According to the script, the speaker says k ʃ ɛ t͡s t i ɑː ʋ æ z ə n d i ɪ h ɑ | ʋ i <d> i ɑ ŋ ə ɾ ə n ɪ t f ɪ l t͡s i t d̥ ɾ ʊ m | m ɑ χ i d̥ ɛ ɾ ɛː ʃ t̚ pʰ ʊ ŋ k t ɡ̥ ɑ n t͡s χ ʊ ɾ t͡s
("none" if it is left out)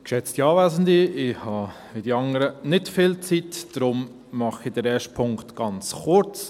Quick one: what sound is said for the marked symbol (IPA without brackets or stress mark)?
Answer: d